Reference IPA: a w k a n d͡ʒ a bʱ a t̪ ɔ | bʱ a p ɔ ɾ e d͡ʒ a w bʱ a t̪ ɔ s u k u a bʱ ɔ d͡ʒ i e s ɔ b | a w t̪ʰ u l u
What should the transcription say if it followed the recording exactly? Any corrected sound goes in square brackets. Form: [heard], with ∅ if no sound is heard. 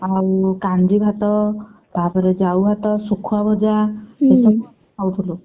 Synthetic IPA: a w k a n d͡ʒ [i] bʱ a t̪ ɔ | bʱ a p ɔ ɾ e d͡ʒ a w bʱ a t̪ ɔ s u [kʰ] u a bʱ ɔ d͡ʒ [a] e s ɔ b | a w t̪ʰ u l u